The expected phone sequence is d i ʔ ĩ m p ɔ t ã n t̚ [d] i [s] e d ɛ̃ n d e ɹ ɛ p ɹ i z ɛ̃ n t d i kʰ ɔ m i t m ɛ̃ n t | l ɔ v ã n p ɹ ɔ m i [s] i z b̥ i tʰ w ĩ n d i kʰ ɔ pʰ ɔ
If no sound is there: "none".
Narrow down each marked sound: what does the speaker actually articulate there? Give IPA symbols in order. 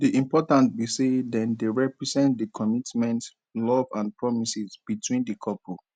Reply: b, s, s

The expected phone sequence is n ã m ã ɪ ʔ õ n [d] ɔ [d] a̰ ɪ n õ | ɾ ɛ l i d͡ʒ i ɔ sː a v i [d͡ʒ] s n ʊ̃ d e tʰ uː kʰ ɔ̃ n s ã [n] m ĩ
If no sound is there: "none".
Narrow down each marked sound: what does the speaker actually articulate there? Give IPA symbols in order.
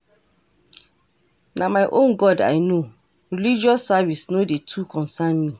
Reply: ɡ, d, none, n

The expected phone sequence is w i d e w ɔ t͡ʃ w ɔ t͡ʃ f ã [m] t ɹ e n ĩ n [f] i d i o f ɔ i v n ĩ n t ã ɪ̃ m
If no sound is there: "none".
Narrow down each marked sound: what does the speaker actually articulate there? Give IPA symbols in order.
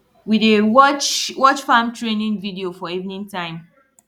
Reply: m, v

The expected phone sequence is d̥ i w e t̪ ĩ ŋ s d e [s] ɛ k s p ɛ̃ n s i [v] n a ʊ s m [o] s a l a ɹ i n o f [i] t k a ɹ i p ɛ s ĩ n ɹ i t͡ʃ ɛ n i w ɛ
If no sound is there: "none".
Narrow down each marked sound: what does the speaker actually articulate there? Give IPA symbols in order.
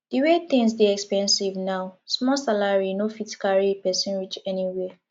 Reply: none, v, ɔ, i

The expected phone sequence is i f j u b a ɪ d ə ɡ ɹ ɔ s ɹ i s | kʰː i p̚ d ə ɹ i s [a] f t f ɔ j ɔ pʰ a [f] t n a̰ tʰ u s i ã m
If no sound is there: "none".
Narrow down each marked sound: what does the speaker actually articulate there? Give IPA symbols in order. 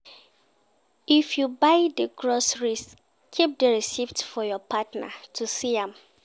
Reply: i, none

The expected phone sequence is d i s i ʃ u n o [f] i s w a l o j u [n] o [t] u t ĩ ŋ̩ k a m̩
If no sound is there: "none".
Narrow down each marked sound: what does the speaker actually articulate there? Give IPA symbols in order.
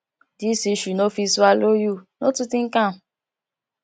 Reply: f, n, t

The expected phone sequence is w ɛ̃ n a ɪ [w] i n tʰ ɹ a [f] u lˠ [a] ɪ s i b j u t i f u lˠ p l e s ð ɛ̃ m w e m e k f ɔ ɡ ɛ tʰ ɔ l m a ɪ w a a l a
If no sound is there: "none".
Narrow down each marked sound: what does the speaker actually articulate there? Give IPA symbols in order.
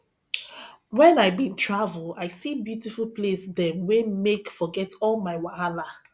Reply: b, v, a

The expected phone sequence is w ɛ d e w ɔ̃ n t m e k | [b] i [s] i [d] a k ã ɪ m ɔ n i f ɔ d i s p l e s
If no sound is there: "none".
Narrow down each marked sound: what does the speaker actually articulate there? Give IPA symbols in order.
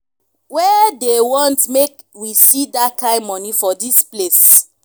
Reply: w, s, d

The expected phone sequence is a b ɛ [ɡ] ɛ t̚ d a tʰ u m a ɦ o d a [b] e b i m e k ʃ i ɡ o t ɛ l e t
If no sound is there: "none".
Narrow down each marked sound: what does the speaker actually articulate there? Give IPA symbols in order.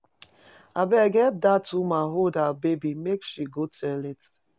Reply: ɡ, b

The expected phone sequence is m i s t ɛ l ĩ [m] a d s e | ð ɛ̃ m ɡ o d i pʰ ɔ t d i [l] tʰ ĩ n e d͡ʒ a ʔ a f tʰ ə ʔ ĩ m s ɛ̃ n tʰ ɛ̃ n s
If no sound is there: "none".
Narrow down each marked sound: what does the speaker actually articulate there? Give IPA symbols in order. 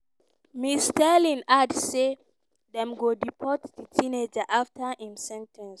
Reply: n, none

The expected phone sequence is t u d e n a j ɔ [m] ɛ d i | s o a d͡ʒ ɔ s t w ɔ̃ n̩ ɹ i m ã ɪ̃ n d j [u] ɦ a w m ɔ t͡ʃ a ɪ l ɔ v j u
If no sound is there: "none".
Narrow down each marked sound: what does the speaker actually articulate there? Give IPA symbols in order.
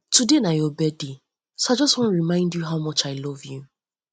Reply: b, u

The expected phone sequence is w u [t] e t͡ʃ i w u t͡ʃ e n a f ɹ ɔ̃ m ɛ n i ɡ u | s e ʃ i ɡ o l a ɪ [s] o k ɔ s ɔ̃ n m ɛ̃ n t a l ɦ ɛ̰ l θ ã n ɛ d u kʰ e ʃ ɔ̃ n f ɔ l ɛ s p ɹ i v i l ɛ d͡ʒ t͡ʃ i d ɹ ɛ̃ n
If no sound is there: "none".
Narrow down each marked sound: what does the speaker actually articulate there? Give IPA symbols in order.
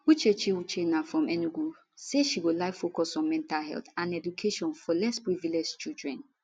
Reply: t͡ʃ, f

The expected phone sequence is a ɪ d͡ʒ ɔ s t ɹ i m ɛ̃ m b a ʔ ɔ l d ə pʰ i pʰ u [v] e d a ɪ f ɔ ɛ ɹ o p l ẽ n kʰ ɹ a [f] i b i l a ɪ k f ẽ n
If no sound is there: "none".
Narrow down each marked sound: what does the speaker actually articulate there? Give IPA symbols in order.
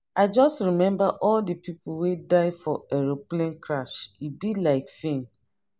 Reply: w, ʃ

